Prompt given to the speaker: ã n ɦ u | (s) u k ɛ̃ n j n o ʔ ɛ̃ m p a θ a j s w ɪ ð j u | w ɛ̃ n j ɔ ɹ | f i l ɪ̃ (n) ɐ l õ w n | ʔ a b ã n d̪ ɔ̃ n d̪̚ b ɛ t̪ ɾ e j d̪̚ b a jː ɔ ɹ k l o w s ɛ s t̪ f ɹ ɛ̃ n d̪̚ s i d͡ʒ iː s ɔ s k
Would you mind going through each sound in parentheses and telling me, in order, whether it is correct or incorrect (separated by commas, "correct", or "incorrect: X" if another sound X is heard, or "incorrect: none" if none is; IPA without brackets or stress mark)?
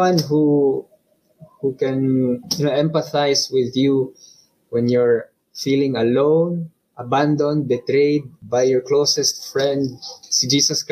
incorrect: h, incorrect: ŋ